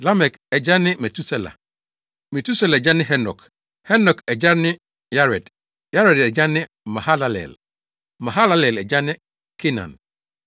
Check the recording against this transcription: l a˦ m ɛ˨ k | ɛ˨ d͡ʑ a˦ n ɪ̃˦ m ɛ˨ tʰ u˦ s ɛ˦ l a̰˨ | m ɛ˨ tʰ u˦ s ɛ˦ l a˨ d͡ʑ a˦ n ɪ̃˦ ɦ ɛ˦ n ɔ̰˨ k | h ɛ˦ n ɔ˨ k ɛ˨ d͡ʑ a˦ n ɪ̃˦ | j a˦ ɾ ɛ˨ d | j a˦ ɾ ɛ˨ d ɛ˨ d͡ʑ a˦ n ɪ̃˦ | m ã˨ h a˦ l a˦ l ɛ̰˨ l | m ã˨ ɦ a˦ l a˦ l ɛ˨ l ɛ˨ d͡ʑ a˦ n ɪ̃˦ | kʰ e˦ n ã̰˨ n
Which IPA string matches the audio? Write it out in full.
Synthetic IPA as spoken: l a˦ m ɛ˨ k | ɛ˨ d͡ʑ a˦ n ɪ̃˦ m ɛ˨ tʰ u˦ s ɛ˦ l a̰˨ | m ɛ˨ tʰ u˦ s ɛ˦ l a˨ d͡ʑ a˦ n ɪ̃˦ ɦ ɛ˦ n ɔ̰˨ k | h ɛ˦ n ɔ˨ k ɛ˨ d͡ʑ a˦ n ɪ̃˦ | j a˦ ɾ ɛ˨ d | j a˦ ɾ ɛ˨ d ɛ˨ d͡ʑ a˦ n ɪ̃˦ | m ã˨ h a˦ l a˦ l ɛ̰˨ l | m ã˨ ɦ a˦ l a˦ l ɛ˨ l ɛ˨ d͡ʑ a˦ n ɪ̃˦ | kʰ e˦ n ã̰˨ n

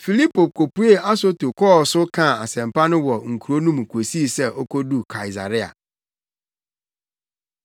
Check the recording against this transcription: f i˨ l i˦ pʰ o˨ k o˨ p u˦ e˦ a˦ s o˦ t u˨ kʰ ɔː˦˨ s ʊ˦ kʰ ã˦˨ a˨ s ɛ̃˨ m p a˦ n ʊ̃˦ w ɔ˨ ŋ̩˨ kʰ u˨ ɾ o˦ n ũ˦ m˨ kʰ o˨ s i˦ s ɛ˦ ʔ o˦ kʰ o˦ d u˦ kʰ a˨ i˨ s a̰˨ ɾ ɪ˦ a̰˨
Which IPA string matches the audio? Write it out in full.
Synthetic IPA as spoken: f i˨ l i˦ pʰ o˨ k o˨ p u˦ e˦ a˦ s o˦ t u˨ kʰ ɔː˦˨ s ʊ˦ kʰ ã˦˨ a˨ s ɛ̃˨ m p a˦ n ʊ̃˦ w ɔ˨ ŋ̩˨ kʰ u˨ ɾ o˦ n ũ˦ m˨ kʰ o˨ s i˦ s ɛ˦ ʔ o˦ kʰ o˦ d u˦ kʰ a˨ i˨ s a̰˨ ɾ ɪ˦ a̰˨

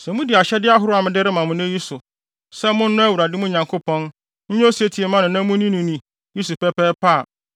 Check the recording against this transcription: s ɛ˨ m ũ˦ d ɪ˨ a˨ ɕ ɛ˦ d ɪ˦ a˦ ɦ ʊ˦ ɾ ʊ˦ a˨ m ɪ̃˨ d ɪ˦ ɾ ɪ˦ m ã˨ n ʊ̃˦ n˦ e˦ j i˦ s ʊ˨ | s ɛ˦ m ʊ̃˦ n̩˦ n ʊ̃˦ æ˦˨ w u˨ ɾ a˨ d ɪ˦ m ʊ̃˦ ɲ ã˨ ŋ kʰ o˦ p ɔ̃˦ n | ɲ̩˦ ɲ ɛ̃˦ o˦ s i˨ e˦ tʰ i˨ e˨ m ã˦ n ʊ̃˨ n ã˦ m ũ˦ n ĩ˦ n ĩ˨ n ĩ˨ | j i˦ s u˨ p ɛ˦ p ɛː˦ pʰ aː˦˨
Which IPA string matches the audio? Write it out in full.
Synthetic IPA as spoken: s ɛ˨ m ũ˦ d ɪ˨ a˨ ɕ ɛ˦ d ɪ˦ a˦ ɦ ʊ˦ ɾ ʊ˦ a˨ m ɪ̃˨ d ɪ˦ ɾ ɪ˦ m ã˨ m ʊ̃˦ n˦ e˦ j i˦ s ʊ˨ | s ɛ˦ m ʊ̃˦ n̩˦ n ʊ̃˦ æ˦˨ w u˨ ɾ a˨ d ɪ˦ m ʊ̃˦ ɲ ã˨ ŋ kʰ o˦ p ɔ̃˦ n | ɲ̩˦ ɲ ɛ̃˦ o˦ s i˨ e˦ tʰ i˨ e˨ m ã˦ n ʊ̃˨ n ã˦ m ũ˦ n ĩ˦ n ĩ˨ n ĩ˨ | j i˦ s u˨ p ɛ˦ p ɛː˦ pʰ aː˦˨

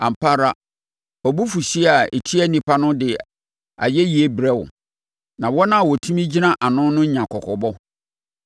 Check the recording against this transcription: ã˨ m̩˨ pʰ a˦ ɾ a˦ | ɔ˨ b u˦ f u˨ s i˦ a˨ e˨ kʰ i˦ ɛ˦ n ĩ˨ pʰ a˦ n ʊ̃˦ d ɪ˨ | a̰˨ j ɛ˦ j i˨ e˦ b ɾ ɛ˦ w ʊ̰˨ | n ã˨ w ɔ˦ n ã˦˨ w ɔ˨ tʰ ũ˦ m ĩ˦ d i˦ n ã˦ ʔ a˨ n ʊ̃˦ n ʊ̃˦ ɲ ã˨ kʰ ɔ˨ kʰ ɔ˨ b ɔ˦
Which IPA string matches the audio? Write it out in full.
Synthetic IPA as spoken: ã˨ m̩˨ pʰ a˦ ɾ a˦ | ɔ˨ b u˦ f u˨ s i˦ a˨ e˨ tʰ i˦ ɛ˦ n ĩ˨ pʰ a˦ n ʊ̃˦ d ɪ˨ | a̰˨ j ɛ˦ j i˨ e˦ b ɾ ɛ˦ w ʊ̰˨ | n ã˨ w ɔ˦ n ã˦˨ w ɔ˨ tʰ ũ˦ m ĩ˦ d͡ʑ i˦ n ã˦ ʔ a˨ n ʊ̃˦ n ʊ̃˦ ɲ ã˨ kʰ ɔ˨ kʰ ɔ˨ b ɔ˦

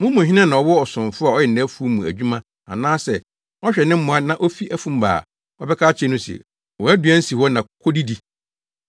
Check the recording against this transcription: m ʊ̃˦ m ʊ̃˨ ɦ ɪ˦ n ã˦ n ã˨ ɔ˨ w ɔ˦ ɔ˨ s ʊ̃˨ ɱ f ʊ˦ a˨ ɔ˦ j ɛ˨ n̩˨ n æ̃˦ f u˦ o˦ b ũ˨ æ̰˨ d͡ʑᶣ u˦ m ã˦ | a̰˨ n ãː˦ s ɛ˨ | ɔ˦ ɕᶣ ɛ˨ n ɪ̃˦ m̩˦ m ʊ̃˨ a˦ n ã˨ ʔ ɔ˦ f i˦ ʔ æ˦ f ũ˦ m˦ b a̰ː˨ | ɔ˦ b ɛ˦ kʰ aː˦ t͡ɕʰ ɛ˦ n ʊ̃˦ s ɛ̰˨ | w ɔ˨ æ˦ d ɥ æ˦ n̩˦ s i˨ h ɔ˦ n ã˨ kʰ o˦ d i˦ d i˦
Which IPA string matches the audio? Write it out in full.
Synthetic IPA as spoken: m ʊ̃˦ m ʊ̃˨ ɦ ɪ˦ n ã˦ n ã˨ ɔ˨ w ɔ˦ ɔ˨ s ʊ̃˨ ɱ f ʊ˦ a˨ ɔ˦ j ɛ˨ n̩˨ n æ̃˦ f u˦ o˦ m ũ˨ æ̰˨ d͡ʑᶣ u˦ m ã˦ | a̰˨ n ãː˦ s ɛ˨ | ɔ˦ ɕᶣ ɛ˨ n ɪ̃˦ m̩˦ m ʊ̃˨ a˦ n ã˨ ʔ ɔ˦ f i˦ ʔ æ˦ f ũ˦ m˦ b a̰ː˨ | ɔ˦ b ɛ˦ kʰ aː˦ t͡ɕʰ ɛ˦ n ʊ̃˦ s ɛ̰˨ | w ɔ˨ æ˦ d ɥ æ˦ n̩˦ s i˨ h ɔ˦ n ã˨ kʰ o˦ d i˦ d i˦

